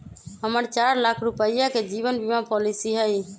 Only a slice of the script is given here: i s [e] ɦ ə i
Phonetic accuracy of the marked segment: incorrect: i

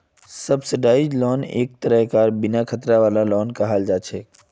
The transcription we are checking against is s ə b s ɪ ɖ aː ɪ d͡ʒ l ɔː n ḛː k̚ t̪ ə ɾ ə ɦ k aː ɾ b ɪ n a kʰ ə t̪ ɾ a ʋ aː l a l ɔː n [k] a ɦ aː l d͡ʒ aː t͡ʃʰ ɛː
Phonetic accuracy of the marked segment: correct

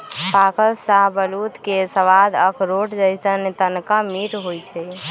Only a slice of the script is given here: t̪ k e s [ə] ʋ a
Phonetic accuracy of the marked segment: correct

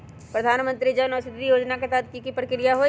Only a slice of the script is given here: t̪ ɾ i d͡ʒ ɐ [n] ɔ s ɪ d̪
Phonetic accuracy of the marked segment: correct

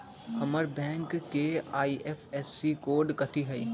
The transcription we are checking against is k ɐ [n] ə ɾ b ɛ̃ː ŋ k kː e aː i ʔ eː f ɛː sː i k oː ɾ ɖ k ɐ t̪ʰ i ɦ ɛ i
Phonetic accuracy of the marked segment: incorrect: m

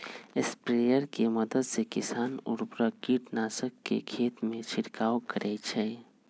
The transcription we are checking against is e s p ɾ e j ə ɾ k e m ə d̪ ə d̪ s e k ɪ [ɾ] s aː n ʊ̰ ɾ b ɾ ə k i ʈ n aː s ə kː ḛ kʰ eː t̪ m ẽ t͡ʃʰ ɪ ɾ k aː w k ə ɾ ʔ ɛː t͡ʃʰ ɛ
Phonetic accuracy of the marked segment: incorrect: none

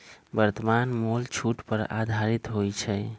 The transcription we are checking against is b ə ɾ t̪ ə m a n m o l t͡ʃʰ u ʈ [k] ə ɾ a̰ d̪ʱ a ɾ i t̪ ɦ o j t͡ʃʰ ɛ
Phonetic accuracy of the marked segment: incorrect: p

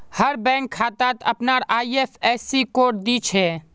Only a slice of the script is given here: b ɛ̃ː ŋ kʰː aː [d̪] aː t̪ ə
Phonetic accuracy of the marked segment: incorrect: t̪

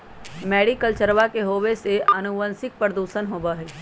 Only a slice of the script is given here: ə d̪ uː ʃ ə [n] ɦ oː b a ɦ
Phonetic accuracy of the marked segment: correct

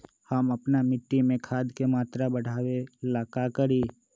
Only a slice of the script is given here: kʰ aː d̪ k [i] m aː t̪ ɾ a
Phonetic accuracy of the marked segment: incorrect: e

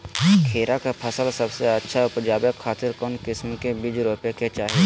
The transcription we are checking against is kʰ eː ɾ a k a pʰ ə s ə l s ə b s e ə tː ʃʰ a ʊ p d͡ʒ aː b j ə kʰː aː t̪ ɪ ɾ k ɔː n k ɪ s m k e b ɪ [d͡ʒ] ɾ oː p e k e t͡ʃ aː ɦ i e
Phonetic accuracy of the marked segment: correct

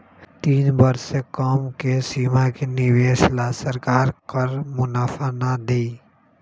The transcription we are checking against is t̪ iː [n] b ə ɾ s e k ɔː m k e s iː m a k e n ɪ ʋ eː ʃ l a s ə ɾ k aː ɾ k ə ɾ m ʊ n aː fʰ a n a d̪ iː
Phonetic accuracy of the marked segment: correct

